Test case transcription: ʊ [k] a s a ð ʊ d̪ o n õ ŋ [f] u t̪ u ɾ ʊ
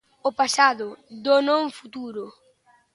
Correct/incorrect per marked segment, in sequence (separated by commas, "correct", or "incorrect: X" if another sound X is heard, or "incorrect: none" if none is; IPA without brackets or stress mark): incorrect: p, correct